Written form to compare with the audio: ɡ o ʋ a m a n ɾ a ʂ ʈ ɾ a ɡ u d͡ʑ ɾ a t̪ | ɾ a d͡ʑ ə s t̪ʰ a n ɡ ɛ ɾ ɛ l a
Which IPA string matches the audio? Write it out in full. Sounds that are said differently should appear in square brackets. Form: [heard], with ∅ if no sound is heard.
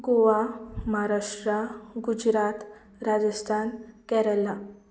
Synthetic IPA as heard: ɡ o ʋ a m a [∅] ɾ a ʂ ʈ ɾ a ɡ u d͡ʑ ɾ a t̪ | ɾ a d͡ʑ ə s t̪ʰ a n [k] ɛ ɾ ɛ l a